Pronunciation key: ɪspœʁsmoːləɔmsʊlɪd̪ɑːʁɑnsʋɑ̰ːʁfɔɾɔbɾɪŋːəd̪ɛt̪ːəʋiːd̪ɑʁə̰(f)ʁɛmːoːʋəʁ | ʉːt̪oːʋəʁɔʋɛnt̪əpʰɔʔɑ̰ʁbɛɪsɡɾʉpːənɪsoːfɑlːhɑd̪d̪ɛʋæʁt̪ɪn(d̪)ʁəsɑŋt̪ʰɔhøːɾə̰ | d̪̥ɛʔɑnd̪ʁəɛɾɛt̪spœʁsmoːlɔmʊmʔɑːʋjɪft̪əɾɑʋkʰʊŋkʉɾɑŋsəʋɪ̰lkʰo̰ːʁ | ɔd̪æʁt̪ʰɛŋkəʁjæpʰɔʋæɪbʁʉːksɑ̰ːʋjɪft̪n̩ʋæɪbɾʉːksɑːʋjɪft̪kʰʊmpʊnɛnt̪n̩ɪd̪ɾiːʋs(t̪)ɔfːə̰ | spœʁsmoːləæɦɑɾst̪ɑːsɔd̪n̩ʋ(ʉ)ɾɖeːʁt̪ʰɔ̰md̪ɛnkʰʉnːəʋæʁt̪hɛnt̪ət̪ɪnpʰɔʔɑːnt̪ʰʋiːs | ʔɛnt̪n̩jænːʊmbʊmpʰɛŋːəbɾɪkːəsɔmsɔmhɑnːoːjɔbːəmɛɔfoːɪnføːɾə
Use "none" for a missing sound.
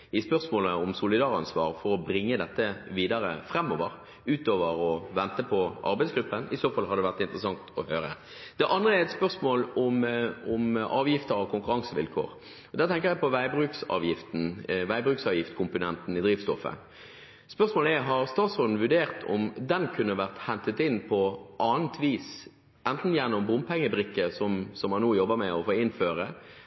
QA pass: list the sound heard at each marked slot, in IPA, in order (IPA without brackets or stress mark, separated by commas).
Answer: f, t̪, t̪, ʉ